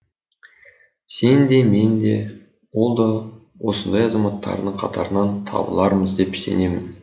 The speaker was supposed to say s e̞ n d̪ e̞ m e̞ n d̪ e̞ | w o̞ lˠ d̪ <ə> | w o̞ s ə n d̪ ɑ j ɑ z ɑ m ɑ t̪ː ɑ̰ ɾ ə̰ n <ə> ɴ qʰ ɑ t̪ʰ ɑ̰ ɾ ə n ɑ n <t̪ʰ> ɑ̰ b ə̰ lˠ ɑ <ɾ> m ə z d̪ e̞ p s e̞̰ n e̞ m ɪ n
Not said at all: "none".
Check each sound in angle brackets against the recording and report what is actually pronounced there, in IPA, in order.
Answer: ɑ, ə, t̪ʰ, ɾ

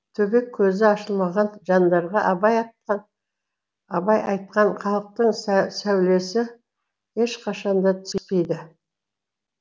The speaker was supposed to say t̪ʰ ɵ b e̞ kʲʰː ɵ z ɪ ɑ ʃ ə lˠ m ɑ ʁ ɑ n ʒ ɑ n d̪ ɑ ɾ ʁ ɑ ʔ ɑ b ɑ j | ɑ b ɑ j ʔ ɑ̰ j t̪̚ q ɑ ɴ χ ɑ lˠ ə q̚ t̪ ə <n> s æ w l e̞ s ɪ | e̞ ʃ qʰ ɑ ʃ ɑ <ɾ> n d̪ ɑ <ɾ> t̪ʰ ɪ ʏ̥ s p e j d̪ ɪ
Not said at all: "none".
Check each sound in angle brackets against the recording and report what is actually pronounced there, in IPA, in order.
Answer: ɴ, none, none

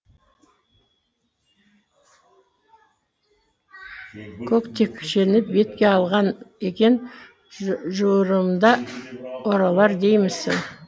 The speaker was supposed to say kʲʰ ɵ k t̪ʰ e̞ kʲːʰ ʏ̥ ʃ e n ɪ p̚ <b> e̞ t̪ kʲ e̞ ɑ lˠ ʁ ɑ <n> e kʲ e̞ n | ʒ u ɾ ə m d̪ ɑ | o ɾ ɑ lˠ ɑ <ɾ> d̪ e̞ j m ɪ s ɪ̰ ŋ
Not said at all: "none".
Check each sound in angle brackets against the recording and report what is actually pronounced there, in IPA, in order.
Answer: b, n, ɾ

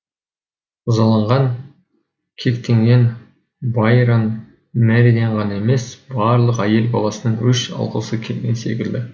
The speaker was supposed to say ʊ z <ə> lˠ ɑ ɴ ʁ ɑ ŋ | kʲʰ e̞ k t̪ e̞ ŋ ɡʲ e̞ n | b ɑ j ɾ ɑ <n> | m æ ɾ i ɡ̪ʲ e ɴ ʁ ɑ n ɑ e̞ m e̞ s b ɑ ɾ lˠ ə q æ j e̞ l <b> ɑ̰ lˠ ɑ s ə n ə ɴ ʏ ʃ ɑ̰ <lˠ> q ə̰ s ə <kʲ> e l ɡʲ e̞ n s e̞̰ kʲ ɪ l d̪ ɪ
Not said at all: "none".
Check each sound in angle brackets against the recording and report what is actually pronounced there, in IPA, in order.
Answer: ɑ, n, b, lˠ, kʲʰ

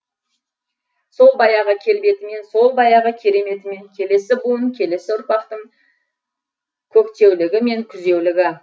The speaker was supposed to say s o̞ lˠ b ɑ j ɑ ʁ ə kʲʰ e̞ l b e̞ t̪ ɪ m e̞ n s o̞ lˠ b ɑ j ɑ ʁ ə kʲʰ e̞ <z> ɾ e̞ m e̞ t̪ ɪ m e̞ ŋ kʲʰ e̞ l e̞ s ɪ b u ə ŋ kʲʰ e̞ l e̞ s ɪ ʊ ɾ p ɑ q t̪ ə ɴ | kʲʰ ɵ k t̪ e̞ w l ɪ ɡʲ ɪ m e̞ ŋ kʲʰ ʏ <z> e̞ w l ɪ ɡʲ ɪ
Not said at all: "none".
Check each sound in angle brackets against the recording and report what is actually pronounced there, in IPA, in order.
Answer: none, z

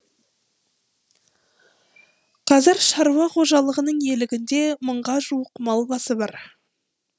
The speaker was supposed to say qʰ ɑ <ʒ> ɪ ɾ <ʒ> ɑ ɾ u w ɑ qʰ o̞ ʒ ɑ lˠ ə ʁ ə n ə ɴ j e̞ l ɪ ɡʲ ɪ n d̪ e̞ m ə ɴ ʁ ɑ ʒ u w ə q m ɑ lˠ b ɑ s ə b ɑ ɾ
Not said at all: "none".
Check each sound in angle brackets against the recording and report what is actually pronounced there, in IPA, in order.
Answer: z, ʃ

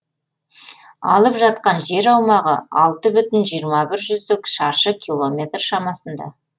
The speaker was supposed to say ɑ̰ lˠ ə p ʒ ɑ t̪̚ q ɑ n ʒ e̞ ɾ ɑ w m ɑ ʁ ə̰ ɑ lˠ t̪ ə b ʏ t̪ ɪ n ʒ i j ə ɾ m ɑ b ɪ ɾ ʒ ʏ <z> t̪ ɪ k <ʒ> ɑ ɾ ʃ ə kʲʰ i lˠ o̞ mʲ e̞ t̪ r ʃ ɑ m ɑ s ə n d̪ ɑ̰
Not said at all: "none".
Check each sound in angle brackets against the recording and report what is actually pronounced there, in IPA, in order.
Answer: z, ʃ

